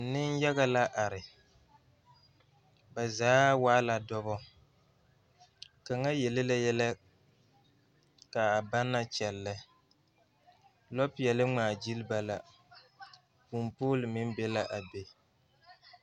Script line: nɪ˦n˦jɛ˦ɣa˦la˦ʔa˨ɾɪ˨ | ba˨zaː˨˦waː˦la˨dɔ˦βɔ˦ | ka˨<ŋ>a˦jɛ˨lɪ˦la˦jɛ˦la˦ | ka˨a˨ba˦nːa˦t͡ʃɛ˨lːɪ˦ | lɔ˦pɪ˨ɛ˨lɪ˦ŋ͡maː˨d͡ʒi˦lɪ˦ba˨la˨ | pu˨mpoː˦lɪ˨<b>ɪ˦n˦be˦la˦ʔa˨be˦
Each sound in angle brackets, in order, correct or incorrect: correct, incorrect: m

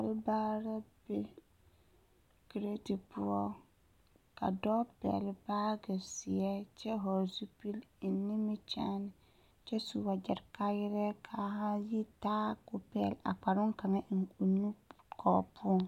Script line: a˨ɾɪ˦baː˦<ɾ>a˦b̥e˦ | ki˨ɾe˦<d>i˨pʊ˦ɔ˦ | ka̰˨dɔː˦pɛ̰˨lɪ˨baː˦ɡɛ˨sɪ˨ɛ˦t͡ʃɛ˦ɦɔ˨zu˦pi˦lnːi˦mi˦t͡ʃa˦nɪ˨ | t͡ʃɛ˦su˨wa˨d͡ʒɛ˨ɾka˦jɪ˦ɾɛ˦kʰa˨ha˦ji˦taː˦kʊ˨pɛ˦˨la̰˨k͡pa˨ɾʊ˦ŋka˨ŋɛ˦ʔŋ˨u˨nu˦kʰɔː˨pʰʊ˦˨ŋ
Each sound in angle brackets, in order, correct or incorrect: correct, incorrect: t

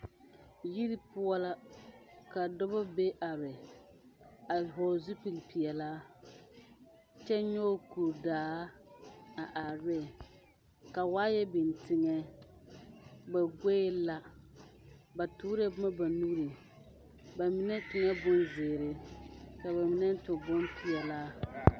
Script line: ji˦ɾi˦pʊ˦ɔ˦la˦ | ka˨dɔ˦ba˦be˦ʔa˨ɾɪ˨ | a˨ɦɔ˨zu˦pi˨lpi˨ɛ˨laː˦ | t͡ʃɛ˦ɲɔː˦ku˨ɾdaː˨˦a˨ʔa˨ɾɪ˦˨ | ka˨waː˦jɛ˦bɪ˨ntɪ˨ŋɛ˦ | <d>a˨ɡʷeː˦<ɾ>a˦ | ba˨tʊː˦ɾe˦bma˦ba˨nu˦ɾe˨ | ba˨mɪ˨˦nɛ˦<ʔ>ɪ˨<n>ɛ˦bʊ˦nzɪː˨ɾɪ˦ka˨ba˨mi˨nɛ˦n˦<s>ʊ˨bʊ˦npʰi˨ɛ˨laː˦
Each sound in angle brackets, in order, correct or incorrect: incorrect: b, incorrect: l, incorrect: t, incorrect: ŋ, incorrect: t

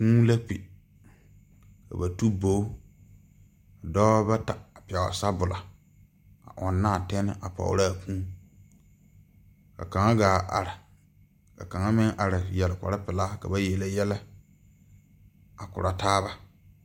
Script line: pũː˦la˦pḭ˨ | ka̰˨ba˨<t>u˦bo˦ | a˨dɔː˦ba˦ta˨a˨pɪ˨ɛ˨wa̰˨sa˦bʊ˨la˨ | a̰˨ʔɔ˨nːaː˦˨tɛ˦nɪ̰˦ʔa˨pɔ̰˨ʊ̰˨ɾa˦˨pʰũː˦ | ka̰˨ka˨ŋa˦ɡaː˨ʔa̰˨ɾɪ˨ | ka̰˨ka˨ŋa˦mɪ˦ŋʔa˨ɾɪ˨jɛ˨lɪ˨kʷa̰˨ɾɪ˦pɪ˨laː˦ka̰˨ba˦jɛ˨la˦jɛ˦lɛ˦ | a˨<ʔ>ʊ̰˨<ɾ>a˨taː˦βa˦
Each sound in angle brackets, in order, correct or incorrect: correct, incorrect: k, correct

